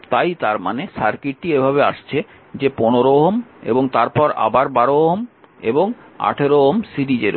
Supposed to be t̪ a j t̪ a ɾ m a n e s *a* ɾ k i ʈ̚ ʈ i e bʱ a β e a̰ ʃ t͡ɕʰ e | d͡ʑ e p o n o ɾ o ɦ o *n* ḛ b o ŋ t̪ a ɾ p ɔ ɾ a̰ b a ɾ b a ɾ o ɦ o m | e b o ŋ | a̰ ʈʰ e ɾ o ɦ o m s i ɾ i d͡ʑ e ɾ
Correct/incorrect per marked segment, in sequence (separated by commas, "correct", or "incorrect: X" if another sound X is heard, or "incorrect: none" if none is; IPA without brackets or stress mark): correct, incorrect: m